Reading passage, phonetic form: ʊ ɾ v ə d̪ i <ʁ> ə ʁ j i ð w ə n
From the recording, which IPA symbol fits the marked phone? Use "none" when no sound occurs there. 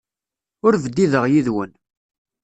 ð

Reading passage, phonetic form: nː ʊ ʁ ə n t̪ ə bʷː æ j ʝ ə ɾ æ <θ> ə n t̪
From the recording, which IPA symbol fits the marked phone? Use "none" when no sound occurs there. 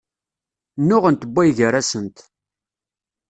s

